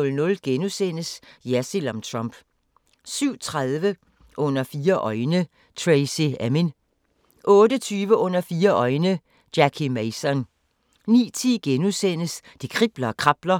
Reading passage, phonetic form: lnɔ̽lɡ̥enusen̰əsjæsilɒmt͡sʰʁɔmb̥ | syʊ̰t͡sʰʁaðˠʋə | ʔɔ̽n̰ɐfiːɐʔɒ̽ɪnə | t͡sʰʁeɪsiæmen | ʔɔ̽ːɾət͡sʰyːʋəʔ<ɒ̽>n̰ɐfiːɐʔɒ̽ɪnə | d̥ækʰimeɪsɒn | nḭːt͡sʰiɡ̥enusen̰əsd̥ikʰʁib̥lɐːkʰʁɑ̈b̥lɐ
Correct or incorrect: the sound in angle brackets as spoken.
incorrect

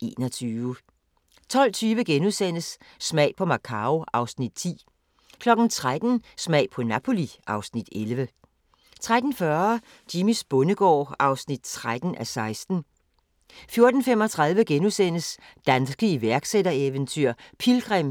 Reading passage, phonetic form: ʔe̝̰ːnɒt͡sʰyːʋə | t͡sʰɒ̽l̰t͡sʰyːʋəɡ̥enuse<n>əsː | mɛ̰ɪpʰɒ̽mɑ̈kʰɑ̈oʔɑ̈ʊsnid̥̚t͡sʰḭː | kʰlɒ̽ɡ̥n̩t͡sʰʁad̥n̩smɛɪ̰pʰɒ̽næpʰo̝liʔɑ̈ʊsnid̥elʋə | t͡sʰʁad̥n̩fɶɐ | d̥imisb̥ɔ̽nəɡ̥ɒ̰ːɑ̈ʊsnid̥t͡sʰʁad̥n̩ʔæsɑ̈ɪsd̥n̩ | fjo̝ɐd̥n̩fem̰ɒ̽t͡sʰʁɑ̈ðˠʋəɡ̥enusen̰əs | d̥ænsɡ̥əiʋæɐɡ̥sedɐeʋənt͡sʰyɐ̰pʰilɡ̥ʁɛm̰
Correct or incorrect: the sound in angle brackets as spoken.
correct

